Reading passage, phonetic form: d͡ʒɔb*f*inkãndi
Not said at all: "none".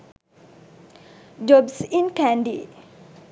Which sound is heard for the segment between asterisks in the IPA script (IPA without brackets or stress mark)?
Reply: s